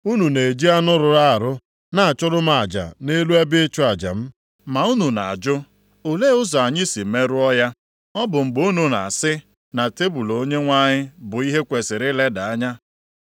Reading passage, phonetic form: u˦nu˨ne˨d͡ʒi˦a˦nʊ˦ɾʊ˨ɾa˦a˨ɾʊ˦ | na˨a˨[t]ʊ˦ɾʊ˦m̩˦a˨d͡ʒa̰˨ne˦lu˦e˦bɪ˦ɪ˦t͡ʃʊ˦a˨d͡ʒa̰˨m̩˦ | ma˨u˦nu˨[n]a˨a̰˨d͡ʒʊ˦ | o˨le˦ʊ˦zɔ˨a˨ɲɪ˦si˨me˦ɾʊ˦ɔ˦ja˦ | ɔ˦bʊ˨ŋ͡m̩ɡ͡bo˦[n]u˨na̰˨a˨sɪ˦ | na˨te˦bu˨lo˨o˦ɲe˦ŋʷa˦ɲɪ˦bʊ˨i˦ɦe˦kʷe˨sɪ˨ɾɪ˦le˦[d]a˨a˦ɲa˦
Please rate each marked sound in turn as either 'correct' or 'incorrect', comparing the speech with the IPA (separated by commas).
incorrect, correct, correct, correct